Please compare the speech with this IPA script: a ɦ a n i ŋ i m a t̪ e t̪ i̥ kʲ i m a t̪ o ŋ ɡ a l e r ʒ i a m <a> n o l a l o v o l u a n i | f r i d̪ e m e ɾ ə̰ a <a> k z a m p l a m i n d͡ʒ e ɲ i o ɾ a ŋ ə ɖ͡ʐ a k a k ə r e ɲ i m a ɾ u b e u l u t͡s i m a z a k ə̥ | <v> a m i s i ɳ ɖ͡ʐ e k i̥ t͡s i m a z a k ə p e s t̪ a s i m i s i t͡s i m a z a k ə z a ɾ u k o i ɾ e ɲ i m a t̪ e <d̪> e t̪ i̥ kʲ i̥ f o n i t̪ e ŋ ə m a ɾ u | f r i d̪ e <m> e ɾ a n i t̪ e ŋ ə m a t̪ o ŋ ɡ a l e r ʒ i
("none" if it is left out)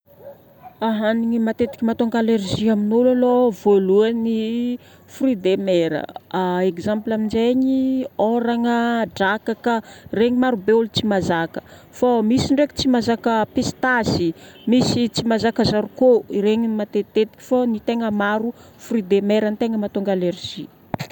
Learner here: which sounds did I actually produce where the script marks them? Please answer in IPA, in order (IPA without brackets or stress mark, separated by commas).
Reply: i, e, f, t̪, m